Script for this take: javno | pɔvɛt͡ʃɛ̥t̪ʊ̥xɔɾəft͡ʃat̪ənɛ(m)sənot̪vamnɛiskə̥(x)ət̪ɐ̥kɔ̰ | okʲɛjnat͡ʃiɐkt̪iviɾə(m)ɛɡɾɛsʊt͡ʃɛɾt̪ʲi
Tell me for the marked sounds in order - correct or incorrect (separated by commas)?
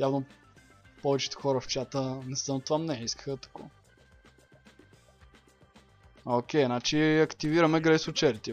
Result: incorrect, correct, correct